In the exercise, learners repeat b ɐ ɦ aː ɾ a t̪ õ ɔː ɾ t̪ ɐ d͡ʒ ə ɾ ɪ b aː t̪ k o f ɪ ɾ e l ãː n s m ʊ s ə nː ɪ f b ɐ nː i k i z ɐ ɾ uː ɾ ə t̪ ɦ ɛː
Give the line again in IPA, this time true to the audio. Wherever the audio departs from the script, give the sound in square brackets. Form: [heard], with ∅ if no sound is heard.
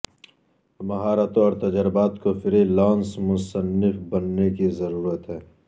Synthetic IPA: [m] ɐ ɦ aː ɾ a t̪ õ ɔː ɾ t̪ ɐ d͡ʒ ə ɾ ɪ b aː t̪ k o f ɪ ɾ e l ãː n s m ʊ s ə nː ɪ f b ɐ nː [e] k i z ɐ ɾ uː ɾ ə t̪ ɦ ɛː